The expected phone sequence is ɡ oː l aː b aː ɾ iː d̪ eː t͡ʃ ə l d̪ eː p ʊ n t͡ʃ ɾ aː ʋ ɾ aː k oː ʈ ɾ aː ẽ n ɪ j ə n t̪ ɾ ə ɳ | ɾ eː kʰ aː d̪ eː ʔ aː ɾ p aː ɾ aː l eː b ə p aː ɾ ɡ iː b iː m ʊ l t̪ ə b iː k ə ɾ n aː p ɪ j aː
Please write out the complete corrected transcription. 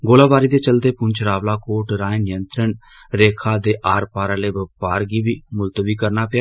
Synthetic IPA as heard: ɡ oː l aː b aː ɾ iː d̪ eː t͡ʃ ə l d̪ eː p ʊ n t͡ʃ ɾ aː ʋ l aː k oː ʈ ɾ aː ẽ n ɪ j ə n t̪ ɾ ə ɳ | ɾ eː kʰ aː d̪ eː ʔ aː ɾ p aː ɾ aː l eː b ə p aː ɾ ɡ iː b iː m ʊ l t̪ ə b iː k ə ɾ n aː p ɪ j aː